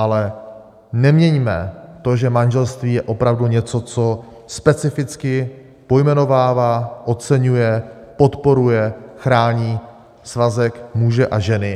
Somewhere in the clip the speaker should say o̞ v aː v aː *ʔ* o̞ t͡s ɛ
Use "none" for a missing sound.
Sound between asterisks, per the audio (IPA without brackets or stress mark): ʔ